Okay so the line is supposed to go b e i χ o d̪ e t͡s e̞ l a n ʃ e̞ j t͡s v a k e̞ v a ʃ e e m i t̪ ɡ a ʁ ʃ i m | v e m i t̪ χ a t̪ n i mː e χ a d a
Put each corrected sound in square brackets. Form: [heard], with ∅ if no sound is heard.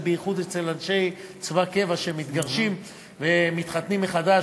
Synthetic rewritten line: b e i χ [u] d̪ e t͡s e̞ l a n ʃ e̞ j t͡s v a k e̞ v a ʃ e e m i t̪ ɡ a ʁ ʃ i m | v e m i t̪ χ a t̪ n i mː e χ a d a